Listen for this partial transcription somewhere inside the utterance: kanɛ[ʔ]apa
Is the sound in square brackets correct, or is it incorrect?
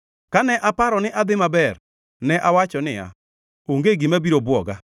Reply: correct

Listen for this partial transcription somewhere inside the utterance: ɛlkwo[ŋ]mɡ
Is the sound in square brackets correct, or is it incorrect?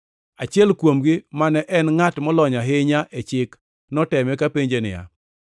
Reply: incorrect: none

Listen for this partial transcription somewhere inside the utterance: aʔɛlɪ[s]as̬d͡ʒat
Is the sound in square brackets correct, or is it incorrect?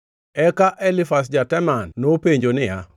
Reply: incorrect: f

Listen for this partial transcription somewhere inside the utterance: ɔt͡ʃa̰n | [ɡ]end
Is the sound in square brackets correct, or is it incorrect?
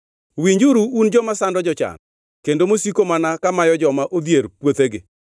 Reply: incorrect: k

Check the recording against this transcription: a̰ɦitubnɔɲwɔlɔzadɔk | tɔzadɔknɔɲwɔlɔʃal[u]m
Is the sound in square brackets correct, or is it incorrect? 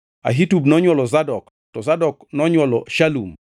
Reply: correct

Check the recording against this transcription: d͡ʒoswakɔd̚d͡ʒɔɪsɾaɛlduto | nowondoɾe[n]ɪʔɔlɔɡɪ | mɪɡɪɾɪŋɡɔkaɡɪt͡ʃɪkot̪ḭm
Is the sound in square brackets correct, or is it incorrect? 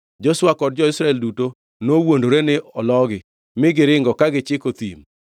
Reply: correct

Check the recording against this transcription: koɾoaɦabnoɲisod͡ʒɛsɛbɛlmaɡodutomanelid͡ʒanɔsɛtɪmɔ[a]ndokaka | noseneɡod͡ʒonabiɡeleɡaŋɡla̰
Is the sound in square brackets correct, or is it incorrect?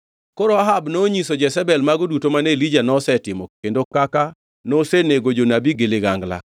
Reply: incorrect: e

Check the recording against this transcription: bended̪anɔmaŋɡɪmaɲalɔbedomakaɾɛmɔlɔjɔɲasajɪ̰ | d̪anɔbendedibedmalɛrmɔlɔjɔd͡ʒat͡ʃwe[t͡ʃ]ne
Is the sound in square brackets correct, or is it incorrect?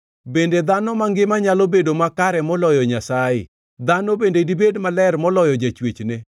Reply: correct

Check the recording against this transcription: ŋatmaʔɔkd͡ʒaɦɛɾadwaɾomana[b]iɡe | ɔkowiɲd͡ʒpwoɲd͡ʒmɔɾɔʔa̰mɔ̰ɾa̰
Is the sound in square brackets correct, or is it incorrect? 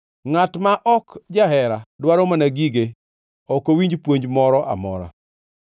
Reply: incorrect: ɡ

